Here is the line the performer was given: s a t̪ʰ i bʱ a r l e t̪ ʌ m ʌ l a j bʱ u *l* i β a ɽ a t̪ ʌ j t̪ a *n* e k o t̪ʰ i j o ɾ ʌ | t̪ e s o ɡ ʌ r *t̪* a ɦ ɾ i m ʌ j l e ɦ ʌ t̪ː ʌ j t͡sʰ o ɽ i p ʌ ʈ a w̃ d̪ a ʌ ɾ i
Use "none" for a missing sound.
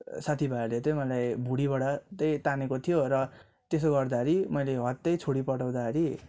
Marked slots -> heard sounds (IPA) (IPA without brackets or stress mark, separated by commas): ɽ, n, d̪